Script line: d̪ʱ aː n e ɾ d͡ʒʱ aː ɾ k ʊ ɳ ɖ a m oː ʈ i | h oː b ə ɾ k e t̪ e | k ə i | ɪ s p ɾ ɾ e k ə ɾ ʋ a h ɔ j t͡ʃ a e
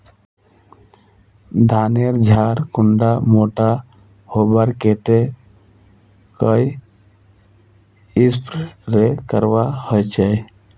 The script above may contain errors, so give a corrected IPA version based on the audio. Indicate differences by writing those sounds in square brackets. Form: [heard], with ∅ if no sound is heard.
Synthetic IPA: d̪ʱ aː n e ɾ d͡ʒʱ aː ɾ k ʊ ɳ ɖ a m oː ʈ [a] | h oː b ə ɾ k e t̪ e | k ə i | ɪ s p ɾ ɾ e k ə ɾ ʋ a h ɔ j t͡ʃ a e